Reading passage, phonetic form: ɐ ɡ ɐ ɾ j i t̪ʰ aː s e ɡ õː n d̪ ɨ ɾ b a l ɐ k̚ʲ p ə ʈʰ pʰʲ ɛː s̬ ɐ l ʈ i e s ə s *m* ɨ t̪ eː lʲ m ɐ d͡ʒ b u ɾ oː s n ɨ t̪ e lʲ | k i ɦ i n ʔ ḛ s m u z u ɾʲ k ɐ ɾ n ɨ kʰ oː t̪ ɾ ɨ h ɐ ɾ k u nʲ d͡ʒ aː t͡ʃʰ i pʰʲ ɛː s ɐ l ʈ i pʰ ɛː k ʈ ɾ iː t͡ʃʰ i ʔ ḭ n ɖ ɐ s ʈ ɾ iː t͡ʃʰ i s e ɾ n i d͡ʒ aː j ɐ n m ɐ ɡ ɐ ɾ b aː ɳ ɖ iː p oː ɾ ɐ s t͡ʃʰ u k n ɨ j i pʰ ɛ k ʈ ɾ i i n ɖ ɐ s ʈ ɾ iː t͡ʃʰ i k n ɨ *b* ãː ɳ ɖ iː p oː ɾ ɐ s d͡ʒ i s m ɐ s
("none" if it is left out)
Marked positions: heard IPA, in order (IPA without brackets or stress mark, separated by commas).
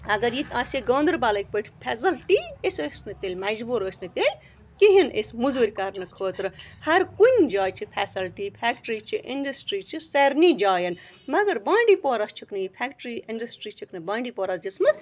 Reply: n, b